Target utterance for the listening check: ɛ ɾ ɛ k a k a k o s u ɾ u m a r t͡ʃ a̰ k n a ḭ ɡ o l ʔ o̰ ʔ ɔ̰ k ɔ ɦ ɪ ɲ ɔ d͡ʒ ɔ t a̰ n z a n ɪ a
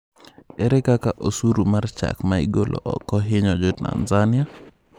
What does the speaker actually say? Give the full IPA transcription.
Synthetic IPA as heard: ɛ ɾ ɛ k a k a ʔ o s u ɾ u m a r t͡ʃ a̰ k m a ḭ ɡ o l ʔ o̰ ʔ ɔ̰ k ɔ ɦ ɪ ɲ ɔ d͡ʒ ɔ t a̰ n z a n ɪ a